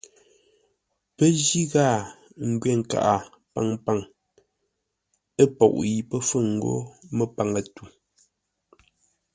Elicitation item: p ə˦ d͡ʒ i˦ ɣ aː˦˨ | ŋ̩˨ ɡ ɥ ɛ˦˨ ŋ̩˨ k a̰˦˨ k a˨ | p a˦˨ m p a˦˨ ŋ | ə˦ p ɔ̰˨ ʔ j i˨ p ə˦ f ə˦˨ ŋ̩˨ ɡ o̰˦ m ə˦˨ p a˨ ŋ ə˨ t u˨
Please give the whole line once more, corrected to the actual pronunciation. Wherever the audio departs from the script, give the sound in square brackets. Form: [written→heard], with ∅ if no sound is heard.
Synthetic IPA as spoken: p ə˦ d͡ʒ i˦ ɣ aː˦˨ | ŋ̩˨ ɡ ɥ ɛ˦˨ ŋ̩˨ k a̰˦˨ [k→ʔ] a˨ | p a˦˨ [m→ŋ] p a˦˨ ŋ | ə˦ p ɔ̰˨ ʔ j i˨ p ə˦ f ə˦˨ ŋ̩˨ ɡ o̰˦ m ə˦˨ p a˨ ŋ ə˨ t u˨